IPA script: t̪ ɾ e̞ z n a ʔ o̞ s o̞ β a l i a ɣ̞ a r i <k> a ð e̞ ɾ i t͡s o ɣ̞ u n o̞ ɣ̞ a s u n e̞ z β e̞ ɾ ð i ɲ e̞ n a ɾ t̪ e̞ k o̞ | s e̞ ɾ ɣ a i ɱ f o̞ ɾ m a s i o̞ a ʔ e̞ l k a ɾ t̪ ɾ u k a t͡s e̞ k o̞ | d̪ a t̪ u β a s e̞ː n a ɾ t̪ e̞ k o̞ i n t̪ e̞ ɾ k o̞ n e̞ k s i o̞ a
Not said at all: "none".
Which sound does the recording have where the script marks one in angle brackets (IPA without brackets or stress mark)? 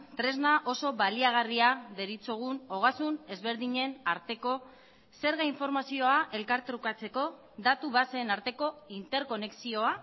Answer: none